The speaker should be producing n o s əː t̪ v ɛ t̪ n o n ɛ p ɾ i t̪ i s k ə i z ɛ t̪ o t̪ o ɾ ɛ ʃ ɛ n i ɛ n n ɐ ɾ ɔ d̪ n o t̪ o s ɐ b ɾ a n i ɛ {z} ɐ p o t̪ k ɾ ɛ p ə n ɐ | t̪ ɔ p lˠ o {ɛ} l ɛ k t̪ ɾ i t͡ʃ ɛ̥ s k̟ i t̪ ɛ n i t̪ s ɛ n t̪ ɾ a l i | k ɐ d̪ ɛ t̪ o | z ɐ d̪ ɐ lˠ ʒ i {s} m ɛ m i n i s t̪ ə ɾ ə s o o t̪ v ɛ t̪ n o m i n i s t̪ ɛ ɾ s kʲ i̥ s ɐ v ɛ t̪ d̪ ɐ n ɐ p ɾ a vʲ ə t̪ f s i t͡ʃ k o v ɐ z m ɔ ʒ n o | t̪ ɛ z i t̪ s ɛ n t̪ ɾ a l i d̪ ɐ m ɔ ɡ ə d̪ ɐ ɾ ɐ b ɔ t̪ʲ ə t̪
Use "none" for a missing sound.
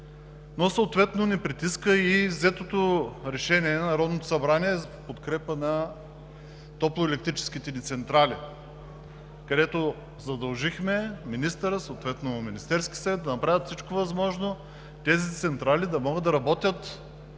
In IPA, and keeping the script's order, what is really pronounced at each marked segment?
z, ɛ, x

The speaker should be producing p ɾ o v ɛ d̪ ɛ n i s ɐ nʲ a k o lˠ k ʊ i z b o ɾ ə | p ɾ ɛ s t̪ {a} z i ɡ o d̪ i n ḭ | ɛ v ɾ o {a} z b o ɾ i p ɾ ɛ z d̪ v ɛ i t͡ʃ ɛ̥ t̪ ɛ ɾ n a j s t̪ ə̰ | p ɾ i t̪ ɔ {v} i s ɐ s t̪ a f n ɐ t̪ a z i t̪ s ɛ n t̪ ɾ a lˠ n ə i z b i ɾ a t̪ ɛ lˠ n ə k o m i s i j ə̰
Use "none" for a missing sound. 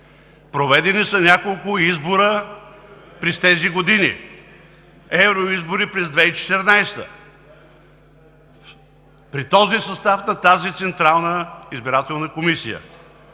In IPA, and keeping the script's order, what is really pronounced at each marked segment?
ɛ, i, z

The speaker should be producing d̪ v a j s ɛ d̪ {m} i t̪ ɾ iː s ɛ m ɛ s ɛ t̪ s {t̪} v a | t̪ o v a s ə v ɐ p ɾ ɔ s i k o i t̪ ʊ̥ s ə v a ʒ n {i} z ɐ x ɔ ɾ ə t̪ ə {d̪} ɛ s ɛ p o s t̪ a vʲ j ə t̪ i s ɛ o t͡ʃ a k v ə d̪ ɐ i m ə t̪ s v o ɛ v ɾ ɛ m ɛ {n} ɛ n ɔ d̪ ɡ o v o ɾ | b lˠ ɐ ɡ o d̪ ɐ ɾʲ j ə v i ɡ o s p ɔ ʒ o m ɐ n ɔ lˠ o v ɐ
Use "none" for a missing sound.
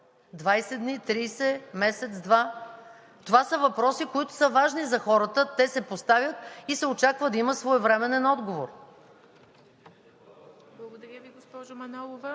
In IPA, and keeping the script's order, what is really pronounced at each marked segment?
n, d̪, i, t̪, n

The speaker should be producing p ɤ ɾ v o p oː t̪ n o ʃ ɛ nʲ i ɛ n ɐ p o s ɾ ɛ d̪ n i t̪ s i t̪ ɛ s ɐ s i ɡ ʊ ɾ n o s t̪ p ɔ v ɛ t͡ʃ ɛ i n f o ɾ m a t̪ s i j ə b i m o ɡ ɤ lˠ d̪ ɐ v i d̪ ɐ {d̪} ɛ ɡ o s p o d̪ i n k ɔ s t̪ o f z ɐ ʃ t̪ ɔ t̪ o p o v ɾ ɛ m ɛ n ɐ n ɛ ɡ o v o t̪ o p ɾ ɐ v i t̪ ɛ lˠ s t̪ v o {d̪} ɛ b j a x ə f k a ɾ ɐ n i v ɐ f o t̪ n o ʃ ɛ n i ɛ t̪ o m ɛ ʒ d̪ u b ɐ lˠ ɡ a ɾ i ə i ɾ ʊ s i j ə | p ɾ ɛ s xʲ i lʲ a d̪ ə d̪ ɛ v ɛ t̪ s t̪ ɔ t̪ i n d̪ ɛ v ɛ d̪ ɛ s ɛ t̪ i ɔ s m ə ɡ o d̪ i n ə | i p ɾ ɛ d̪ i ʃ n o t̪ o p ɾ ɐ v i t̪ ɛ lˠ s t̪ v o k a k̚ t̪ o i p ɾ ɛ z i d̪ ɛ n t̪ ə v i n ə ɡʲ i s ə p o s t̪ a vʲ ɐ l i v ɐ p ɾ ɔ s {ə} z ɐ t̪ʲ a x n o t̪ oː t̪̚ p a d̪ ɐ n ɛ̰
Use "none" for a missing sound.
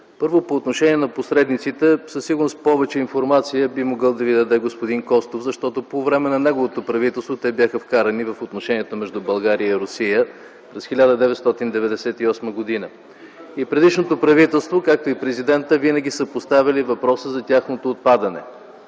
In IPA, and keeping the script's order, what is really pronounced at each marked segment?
d̪, t̪, ə

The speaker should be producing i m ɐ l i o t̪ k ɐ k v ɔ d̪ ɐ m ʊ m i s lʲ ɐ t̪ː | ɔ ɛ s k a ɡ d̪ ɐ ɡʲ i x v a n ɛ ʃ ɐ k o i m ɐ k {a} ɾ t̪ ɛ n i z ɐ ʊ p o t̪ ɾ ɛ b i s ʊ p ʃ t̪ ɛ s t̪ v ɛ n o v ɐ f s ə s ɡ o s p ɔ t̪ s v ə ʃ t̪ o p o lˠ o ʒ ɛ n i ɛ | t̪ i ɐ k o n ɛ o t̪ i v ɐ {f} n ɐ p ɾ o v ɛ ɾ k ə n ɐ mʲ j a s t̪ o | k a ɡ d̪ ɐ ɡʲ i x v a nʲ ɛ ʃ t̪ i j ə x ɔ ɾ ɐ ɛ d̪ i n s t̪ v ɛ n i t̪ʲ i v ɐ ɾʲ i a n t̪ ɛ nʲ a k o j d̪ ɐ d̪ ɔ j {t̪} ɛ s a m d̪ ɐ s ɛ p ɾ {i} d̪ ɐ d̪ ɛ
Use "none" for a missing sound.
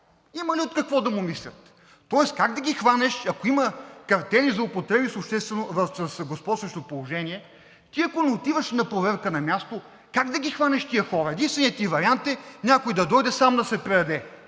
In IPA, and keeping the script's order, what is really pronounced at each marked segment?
ɐ, ʃ, d̪, ɛ

